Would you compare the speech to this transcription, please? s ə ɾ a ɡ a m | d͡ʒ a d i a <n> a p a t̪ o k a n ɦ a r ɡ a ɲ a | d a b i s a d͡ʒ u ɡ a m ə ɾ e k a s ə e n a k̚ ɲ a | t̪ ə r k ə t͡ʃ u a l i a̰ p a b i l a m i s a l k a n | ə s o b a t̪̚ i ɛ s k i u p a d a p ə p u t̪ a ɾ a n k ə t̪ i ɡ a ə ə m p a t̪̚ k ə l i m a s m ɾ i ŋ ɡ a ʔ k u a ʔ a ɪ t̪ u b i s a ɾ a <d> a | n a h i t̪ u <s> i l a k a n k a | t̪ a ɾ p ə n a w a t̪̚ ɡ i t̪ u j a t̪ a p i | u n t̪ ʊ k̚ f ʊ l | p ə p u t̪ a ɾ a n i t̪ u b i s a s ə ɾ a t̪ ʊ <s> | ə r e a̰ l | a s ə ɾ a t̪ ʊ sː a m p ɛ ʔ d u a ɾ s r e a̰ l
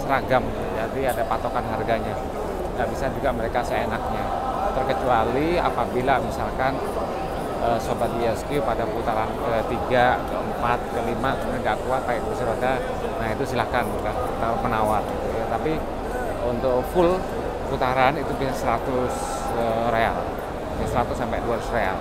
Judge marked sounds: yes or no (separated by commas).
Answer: no, yes, yes, yes